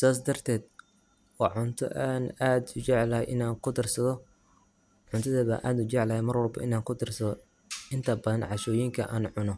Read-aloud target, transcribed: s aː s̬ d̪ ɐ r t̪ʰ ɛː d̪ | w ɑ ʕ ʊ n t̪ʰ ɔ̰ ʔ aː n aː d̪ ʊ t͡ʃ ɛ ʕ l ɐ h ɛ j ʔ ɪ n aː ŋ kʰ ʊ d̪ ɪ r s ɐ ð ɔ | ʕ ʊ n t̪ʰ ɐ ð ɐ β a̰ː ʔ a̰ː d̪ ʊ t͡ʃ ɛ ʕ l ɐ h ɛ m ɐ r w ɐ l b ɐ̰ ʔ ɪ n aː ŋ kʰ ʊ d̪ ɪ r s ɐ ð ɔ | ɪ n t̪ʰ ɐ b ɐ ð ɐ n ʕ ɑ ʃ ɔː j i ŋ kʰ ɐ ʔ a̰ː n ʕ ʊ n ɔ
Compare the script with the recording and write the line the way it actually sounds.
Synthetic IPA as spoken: s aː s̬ d̪ ɐ r t̪ʰ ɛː d̪ | w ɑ ʕ ʊ n t̪ʰ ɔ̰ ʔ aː n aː d̪ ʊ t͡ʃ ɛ ʕ l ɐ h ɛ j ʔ ɪ n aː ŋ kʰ ʊ d̪ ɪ r s ɐ ð ɔ | ʕ ʊ n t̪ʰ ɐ ð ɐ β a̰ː ʔ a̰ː d̪ ʊ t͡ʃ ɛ ʕ l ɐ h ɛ m ɐ r w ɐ l b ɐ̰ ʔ ɪ n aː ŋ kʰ ʊ d̪ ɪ r s ɐ ð ɔ | ɪ n t̪ʰ ɐ b ɐ ð ɐ n ʕ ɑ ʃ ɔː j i ŋ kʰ ɐ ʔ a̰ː n ʕ ʊ n ɔ